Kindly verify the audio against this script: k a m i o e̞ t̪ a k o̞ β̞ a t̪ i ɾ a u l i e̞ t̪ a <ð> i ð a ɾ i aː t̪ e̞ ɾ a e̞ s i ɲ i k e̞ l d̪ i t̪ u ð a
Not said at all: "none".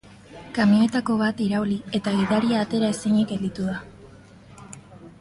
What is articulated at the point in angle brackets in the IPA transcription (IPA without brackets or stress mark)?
ɣ